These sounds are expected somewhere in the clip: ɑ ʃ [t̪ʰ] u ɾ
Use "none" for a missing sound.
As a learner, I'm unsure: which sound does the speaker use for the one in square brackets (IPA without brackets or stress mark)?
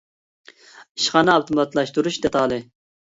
t̪